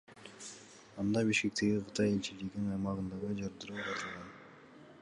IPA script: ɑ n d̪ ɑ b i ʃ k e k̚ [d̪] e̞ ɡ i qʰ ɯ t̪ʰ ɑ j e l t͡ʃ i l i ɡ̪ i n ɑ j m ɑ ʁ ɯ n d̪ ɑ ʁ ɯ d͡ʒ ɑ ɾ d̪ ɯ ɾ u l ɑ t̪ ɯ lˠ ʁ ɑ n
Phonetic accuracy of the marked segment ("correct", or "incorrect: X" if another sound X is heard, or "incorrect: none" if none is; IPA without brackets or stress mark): incorrect: t̪